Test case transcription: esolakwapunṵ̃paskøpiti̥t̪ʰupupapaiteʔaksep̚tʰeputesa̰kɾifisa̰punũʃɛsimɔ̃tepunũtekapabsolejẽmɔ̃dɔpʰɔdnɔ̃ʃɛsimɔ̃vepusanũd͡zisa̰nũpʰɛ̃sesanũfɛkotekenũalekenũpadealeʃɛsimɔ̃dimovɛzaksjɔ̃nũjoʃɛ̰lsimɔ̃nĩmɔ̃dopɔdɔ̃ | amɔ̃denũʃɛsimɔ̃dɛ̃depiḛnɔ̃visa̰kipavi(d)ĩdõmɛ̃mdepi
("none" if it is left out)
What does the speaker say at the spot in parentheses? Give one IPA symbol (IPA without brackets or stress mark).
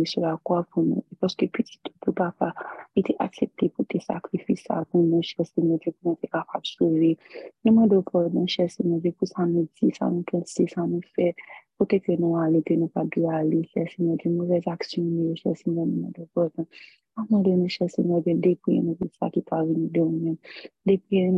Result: n